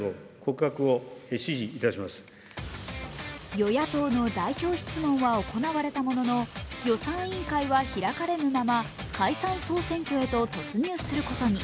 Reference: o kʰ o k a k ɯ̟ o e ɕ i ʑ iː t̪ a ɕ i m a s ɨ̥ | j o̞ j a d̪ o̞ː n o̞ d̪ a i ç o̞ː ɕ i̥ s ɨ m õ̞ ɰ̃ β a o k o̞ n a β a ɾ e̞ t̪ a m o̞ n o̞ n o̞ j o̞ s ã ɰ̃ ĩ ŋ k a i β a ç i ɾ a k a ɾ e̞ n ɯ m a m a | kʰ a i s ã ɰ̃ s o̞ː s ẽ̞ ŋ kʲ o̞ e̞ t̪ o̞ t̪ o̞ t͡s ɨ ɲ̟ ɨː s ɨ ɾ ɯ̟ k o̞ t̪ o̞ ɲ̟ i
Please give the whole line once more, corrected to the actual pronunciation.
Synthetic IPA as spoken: o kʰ o k a k ɯ̟ o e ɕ i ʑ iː t̪ a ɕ i m a s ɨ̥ | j o̞ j a t̪ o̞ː n o̞ d̪ a i ç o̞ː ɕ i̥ t͡s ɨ m õ̞ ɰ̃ β a o k o̞ n a β a ɾ e̞ t̪ a m o̞ n o̞ n o̞ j o̞ s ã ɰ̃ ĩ ŋ k a i β a ç i ɾ a k a ɾ e̞ n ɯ m a m a | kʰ a i s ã ɰ̃ s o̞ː s ẽ̞ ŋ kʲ o̞ e̞ t̪ o̞ t̪ o̞ t͡s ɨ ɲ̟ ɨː s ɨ ɾ ɯ̟ k o̞ t̪ o̞ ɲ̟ i